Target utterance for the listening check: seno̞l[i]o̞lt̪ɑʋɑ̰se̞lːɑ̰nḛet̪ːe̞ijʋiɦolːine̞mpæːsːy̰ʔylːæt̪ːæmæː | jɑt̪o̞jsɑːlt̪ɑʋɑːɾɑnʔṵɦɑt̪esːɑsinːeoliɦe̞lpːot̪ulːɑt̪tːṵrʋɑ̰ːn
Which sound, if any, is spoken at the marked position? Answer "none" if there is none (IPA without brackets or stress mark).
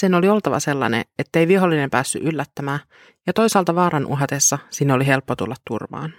i